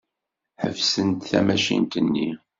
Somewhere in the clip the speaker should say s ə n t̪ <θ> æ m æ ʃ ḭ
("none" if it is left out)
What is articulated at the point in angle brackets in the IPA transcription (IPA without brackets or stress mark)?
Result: θ